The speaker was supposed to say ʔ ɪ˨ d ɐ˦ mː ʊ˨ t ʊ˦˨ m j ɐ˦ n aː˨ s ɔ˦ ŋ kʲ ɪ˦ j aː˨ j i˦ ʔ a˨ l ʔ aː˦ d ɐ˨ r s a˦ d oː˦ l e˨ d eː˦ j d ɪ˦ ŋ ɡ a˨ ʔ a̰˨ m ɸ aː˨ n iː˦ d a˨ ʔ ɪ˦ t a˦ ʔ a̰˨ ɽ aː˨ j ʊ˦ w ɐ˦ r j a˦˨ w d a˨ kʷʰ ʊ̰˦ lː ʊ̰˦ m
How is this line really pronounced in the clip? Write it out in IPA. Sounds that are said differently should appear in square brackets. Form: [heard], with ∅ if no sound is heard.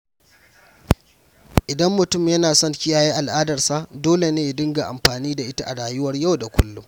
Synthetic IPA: ʔ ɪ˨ d ɐ˦ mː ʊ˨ t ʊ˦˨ m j ɐ˦ n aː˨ s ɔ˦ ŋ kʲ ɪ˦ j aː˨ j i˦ ʔ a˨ l ʔ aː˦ d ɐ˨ r s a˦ d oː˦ l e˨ [n] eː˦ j d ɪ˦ ŋ ɡ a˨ ʔ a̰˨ m ɸ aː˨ n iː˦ d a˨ ʔ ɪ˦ t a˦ ʔ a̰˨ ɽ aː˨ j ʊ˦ w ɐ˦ r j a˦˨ w d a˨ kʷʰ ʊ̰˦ lː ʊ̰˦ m